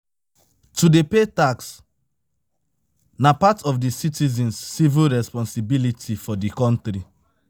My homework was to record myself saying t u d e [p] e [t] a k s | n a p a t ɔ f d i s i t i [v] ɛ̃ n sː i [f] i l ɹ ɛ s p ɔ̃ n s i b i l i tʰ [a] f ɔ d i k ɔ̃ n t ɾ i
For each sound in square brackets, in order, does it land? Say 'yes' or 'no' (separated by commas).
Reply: yes, yes, no, no, no